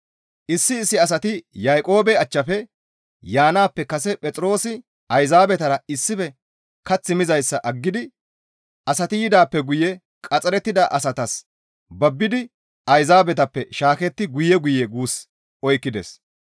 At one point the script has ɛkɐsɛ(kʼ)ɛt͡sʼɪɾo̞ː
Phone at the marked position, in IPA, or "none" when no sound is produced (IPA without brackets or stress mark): pʼ